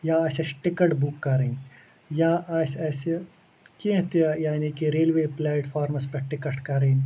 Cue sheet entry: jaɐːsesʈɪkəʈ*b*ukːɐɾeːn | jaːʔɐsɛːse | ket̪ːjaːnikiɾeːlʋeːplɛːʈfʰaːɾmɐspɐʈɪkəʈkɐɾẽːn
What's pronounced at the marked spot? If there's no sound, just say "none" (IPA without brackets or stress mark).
b